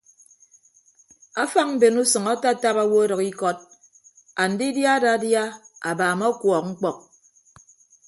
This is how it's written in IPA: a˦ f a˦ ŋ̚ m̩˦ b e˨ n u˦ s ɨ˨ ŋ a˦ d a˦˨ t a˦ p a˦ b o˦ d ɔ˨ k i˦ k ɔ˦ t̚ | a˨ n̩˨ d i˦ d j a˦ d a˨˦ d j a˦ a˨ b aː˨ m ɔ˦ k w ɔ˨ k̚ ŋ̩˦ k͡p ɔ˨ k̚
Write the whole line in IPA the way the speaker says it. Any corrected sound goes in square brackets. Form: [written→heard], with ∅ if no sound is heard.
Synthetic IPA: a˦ f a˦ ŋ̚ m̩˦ b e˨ n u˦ s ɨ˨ ŋ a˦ [d→t] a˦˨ t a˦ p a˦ [b→w] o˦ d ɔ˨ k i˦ k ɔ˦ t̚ | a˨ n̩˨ d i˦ d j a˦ d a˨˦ d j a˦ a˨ b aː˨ m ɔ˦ k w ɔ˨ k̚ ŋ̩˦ k͡p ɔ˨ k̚